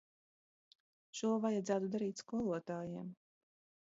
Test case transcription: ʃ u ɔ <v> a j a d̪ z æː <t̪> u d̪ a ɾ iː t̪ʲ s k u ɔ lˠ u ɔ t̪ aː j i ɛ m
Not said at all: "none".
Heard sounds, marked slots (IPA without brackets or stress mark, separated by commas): v, t̪